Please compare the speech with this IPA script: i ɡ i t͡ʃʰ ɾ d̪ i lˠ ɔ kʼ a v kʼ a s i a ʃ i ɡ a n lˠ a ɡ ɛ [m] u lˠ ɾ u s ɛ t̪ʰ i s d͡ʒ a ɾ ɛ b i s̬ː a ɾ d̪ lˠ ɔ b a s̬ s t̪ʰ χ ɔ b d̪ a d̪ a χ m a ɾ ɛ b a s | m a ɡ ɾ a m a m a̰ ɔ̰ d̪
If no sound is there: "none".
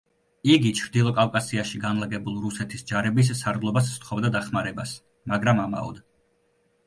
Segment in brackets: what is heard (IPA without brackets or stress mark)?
b